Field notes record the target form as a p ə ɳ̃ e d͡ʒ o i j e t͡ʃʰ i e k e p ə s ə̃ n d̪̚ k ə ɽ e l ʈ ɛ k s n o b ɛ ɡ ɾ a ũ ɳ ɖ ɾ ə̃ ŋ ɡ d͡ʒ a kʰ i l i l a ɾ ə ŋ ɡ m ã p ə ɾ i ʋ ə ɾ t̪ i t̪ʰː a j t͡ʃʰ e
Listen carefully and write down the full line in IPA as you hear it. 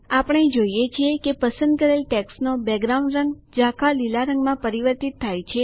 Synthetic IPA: a p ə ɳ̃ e d͡ʒ o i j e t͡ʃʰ i e k e p ə s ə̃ n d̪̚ k ə ɾ e l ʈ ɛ k s n o b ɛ ɡ ɾ a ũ ɳ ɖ ɾ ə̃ ŋ ɡ d͡ʒ a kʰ a l i l a ɾ ə ŋ ɡ m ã p ə ɾ i ʋ ə ɾ t̪ i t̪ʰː a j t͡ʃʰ e